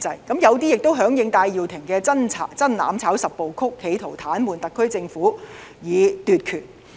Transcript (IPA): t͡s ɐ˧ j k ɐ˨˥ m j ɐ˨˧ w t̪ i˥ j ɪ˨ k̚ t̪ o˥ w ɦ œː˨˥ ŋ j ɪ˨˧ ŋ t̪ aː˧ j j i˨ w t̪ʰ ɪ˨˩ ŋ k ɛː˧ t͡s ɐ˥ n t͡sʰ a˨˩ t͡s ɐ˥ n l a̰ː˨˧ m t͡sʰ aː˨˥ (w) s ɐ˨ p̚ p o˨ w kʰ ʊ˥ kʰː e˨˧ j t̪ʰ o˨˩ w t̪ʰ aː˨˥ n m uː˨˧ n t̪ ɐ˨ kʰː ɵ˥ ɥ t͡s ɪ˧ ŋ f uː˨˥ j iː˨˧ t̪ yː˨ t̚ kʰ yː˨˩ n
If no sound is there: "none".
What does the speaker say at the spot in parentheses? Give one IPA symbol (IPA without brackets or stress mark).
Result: w